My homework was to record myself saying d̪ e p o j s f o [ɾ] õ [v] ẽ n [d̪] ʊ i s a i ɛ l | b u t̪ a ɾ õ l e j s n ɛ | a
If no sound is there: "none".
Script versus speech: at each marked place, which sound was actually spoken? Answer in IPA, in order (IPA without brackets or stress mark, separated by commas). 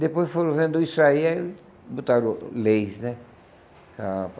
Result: ɾ, v, d̪